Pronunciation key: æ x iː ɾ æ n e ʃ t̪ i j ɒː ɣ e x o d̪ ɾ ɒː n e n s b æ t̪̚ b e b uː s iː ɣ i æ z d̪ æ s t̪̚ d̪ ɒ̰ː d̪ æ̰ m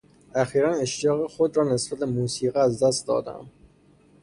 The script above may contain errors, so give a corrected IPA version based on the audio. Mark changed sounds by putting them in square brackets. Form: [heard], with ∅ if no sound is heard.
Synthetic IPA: æ x iː ɾ æ n e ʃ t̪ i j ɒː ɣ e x o d̪ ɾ ɒː n e [∅] s b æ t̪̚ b e [m] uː s iː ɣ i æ z d̪ æ s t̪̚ d̪ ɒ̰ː d̪ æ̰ m

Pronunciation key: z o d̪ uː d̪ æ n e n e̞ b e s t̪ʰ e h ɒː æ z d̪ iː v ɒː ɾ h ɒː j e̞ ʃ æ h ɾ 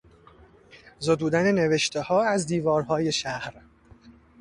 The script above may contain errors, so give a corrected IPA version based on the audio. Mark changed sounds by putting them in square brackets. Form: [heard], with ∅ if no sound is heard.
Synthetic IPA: z o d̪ uː d̪ æ n e n e̞ [v] e [ʃ] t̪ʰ e h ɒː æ z d̪ iː v ɒː ɾ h ɒː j e̞ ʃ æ h ɾ

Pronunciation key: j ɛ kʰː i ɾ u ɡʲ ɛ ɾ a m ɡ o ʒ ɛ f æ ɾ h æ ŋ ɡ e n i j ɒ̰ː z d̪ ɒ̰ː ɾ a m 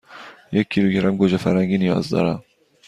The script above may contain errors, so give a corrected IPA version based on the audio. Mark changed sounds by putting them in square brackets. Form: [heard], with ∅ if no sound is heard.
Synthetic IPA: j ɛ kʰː i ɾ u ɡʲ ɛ ɾ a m ɡ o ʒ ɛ f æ ɾ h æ ŋ ɡ [i] n i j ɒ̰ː z d̪ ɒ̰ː ɾ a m

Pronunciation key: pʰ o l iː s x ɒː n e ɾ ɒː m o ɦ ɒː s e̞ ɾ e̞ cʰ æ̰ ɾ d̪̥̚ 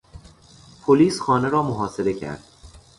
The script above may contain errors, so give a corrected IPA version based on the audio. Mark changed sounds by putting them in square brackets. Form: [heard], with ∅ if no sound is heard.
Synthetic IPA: pʰ o l iː s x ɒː n e ɾ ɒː m o ɦ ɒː s e̞ ɾ e̞ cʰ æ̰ ɾ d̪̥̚

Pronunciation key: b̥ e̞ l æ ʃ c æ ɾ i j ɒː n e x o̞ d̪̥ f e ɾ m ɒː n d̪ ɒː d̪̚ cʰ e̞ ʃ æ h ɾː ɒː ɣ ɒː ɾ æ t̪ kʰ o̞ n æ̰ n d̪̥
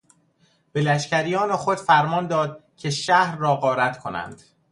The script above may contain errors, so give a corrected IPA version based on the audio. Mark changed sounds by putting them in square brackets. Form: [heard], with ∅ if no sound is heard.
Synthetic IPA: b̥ e̞ l æ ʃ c æ ɾ i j ɒː n e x o̞ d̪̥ f [æ] ɾ m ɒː n d̪ ɒː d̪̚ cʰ e̞ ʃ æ h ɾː ɒː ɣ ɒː ɾ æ t̪ kʰ o̞ n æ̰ n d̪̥

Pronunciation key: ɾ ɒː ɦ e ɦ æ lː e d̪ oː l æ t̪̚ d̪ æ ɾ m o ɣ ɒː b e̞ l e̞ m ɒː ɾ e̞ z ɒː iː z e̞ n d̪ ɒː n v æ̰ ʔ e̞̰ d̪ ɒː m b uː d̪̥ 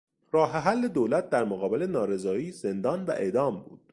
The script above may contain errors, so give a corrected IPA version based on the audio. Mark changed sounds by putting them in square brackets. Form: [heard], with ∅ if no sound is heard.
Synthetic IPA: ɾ ɒː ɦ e ɦ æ lː e d̪ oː l æ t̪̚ d̪ æ ɾ m o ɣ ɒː b e̞ l e̞ [n] ɒː ɾ e̞ z ɒː iː z e̞ n d̪ ɒː n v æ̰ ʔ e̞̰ d̪ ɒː m b uː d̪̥

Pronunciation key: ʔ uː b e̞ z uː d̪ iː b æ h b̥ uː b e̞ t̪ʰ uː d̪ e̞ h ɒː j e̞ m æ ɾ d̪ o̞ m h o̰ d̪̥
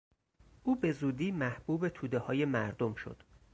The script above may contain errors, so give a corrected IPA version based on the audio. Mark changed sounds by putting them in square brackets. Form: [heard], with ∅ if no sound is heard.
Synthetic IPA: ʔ uː b e̞ z uː d̪ iː [m] æ h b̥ uː b e̞ t̪ʰ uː d̪ e̞ h ɒː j e̞ m æ ɾ d̪ o̞ m [ʃ] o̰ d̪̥

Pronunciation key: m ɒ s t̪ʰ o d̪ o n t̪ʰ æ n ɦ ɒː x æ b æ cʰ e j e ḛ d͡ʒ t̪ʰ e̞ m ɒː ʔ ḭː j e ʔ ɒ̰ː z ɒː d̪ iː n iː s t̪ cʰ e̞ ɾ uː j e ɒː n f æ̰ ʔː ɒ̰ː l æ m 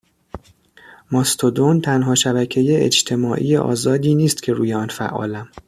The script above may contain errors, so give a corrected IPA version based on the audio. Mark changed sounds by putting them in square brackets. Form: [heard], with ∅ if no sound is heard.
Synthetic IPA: m ɒ s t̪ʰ o d̪ o n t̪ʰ æ n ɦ ɒː [ʃ] æ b æ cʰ e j e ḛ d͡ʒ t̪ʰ e̞ m ɒː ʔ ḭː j e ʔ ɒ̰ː z ɒː d̪ iː n iː s t̪ cʰ e̞ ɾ uː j e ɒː n f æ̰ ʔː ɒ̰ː l æ m

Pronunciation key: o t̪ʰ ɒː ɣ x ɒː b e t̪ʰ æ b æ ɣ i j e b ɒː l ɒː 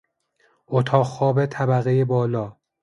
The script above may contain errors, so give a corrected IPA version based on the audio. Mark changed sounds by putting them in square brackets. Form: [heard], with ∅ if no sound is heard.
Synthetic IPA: o t̪ʰ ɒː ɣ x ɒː b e t̪ʰ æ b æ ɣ [e] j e b ɒː l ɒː

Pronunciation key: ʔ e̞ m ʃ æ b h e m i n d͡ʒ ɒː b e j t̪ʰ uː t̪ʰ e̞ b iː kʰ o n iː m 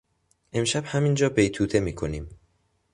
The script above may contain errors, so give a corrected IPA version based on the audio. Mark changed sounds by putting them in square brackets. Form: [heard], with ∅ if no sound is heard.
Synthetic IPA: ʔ e̞ m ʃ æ b h [æ] m i n d͡ʒ ɒː b e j t̪ʰ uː t̪ʰ e̞ [m] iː kʰ o n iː m

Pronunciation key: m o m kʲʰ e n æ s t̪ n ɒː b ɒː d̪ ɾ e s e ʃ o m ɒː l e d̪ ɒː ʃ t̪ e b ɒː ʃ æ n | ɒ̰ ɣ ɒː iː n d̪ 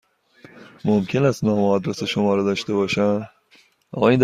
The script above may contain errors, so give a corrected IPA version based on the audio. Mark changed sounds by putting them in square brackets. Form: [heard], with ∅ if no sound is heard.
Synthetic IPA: m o m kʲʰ e n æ s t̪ n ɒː [m] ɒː d̪ ɾ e s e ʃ o m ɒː [ɾ] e d̪ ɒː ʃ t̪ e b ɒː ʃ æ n | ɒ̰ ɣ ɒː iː n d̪

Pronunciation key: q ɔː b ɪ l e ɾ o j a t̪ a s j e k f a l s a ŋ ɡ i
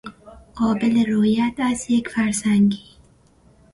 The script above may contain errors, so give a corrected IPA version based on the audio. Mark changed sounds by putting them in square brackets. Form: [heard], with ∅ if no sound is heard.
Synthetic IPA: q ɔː b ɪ l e ɾ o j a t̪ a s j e k f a [ɾ] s a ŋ ɡ i

